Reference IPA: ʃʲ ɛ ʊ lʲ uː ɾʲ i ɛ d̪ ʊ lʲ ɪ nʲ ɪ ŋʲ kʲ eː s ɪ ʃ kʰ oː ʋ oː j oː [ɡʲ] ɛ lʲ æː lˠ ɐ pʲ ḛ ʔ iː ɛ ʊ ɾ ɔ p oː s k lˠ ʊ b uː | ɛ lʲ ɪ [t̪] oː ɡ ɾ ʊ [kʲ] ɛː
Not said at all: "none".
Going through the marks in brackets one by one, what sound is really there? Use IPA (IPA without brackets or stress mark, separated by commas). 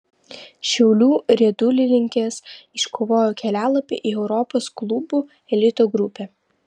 kʲ, t̪, pʲ